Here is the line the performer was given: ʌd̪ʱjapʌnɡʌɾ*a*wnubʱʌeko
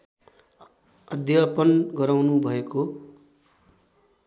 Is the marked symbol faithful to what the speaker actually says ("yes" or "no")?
yes